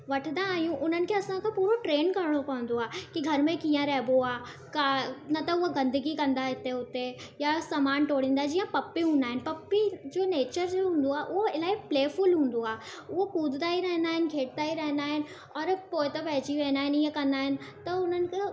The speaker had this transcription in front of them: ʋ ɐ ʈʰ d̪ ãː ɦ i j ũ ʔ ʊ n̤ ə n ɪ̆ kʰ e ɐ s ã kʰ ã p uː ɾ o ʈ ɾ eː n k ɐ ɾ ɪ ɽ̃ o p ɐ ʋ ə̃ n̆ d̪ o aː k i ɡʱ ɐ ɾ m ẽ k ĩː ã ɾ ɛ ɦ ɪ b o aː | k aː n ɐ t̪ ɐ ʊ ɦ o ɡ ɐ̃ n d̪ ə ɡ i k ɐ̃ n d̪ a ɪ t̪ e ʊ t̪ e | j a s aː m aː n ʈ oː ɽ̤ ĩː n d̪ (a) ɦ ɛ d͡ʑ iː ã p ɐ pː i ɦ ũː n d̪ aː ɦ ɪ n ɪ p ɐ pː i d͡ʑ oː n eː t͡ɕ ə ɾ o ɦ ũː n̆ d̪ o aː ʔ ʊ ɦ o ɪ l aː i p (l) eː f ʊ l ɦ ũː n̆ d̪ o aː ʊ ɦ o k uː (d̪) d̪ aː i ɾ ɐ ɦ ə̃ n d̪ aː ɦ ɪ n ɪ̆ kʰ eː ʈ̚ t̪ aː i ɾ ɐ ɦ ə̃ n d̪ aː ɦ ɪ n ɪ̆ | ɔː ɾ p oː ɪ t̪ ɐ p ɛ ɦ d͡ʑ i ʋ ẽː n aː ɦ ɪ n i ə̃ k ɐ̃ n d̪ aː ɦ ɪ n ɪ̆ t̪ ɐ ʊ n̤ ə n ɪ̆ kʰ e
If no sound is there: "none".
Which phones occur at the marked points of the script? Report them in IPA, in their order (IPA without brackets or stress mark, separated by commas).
a, l, d̪